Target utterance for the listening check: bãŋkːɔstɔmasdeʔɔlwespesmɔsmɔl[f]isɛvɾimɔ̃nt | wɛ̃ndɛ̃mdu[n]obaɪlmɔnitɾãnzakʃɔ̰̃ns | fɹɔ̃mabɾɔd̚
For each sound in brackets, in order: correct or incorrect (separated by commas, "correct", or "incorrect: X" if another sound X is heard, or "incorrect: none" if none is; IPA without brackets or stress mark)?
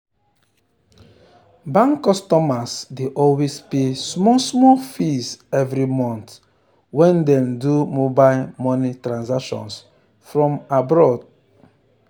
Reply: correct, incorrect: m